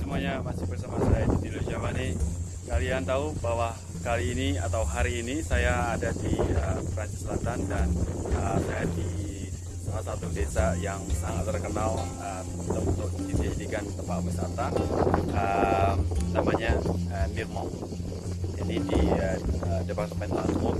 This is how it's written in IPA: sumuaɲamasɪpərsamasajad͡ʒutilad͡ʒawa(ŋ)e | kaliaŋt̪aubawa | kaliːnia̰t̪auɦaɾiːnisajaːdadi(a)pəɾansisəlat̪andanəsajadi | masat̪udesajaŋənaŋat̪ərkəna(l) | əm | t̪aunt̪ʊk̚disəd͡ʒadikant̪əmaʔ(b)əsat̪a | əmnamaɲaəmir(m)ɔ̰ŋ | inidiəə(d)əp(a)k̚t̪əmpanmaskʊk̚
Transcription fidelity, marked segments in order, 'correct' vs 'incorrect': incorrect: n, incorrect: ə, correct, correct, correct, correct, correct

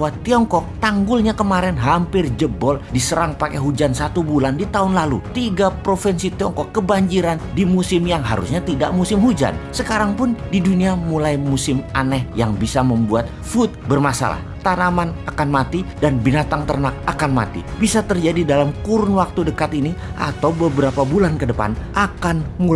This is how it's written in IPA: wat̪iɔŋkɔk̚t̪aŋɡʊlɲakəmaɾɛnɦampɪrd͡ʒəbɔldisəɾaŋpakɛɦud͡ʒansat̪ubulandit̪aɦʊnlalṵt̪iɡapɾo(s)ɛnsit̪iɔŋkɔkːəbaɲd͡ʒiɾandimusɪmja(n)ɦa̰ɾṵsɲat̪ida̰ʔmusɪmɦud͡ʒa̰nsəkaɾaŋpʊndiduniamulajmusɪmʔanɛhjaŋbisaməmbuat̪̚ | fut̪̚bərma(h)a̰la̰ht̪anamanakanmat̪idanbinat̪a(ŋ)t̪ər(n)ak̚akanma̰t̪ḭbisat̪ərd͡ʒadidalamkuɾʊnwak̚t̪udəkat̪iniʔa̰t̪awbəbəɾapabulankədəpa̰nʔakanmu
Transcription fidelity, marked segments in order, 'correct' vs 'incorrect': incorrect: f, incorrect: ŋ, incorrect: s, correct, correct

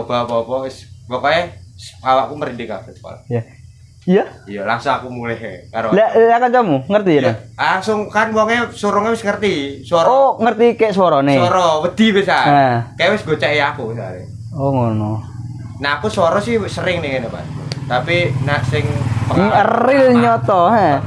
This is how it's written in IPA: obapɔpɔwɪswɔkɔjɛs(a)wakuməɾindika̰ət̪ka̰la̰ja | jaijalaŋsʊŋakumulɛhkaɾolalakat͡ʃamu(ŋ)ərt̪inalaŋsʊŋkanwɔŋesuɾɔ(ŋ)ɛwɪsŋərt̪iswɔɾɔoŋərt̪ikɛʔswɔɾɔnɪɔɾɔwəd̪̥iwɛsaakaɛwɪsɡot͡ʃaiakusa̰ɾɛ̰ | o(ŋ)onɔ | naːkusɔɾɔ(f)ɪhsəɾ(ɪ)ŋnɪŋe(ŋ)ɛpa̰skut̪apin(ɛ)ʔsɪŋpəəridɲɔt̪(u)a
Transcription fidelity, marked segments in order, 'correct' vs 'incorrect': correct, correct, correct, correct, incorrect: s, correct, incorrect: n, incorrect: a, incorrect: ɔ

